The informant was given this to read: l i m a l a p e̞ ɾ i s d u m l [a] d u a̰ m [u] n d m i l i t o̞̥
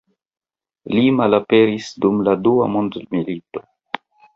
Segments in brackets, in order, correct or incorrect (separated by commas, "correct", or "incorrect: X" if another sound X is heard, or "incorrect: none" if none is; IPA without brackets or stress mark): correct, incorrect: o